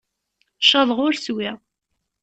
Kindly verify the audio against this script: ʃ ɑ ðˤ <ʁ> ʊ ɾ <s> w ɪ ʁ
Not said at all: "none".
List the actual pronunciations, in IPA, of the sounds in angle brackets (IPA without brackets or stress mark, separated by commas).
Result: ʁ, s